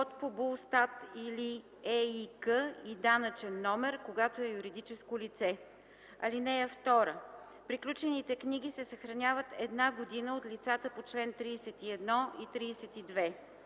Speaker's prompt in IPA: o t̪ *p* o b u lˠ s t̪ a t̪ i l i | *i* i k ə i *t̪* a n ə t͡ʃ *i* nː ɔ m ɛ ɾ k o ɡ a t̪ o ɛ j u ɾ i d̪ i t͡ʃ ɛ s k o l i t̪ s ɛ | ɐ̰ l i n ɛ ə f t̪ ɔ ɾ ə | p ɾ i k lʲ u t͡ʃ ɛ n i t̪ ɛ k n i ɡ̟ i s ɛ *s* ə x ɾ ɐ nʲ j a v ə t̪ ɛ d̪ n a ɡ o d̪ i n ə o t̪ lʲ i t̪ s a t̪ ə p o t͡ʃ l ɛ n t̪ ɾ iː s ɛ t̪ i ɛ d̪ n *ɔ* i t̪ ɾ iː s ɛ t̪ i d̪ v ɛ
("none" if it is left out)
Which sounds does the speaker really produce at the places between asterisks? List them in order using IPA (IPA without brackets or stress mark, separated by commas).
p, ɛ, d̪, ɛ, s, ɔ